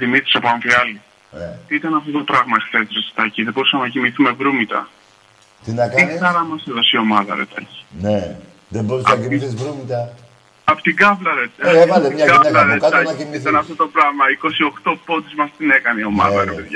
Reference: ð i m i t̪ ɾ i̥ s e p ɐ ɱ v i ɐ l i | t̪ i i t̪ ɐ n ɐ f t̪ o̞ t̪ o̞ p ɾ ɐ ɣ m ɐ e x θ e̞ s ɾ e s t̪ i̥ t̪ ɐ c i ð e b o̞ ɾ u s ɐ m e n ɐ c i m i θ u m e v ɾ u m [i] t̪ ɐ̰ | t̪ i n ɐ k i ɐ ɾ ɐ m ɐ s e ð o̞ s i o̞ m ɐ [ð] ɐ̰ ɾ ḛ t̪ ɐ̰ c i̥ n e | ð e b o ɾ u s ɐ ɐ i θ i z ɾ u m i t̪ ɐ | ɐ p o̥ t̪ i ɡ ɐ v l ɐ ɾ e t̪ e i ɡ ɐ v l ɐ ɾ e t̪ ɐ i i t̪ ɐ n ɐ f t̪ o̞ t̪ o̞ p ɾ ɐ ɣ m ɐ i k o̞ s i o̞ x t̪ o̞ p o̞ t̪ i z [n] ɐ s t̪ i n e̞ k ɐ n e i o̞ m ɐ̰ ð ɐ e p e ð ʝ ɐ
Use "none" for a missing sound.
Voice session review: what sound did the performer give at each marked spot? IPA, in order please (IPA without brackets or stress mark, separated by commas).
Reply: i, ð, m